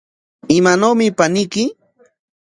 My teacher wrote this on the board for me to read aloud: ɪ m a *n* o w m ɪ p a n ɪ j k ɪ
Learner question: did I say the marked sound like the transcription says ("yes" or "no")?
yes